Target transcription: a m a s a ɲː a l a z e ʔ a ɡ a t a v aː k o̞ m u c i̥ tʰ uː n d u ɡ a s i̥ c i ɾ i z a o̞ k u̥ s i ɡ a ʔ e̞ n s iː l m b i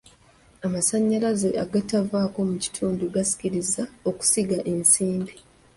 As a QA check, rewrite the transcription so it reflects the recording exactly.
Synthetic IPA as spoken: a m a s a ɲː a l a z e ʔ a ɡ a t a v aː k o̞ m u c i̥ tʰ uː n d u ɡ a s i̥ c i ɾ i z a o̞ k u̥ s i ɡ a ʔ e̞ n s iː m b i